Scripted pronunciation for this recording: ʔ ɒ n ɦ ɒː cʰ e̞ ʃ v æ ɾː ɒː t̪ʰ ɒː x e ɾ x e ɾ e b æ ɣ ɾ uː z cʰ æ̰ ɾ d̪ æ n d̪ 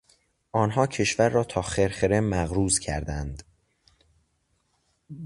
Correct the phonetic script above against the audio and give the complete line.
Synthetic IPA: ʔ ɒː n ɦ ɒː cʰ e̞ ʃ v æ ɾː ɒː t̪ʰ ɒː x e ɾ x e ɾ e m æ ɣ ɾ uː z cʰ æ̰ ɾ d̪ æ n d̪